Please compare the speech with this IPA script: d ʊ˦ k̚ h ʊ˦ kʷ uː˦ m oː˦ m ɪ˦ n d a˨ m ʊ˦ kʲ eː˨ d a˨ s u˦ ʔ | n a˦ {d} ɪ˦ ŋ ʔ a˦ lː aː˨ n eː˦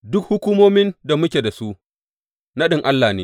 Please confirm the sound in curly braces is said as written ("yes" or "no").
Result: no